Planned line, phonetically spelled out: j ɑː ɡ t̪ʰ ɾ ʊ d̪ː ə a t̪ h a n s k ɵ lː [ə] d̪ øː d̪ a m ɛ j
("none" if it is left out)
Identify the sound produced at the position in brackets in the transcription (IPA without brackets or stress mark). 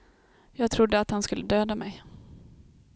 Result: ə